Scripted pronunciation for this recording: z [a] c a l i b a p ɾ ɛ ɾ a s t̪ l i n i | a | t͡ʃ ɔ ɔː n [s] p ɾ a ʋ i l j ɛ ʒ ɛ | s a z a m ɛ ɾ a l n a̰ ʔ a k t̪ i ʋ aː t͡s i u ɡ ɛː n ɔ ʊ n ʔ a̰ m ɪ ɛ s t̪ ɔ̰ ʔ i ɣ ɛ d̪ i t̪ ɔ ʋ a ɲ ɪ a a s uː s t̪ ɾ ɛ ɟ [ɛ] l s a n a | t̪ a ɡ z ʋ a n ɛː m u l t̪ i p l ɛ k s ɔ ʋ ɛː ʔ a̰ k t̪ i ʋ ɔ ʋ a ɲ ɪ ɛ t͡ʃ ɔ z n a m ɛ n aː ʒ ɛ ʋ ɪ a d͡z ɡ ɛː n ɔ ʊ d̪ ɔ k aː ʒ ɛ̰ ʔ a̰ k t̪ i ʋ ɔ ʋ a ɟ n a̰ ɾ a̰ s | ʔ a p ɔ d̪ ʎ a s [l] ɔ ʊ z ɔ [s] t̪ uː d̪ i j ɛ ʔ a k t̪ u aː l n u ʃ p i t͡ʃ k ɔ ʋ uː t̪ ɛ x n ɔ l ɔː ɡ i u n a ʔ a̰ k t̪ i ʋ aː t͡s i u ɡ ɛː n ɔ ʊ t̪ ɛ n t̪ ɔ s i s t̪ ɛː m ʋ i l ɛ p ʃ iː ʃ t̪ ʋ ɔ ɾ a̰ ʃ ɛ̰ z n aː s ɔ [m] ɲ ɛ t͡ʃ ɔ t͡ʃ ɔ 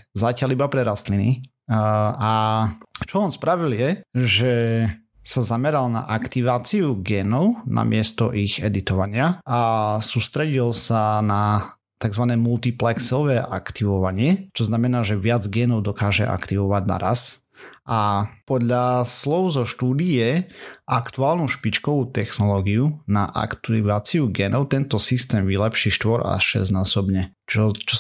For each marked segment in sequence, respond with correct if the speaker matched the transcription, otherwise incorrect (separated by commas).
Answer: correct, correct, incorrect, correct, incorrect, incorrect